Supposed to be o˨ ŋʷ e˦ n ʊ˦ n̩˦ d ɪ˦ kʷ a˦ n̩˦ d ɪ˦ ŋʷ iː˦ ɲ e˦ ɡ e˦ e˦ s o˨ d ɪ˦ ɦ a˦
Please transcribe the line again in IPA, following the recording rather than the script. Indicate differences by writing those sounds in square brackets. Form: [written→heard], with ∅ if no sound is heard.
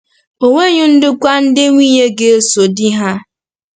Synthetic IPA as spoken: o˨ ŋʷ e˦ [n→ɲ] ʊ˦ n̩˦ d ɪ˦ kʷ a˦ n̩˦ d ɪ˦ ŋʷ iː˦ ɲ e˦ ɡ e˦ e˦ s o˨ d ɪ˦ ɦ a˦